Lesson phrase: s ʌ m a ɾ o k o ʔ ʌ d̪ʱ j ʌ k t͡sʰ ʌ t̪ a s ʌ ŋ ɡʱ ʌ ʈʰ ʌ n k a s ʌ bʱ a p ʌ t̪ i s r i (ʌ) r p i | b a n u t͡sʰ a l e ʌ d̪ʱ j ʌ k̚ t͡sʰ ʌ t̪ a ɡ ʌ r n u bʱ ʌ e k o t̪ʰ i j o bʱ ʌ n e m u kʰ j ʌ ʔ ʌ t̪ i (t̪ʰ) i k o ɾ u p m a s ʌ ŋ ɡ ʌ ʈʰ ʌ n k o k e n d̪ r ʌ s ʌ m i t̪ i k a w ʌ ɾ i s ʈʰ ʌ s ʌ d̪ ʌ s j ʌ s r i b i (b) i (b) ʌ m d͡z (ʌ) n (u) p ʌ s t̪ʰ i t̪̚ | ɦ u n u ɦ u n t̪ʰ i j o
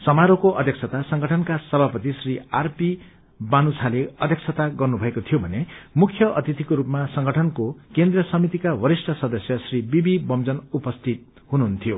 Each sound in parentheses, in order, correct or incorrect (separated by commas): incorrect, incorrect, correct, correct, correct, correct